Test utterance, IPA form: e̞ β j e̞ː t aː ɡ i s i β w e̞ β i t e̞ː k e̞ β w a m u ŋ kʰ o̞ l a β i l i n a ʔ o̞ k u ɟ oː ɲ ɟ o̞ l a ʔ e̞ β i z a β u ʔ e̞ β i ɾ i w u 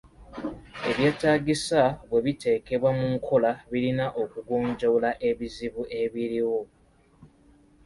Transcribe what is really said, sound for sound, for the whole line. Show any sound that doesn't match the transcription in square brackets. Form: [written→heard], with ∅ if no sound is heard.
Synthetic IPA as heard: e̞ β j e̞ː t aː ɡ i s [i→a] β w e̞ β i t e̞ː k e̞ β w a m u ŋ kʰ o̞ l a β i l i n a ʔ o̞ k u [ɟ→ɡ] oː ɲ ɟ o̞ l a ʔ e̞ β i z [a→i] β u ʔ e̞ β i ɾ i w [u→o]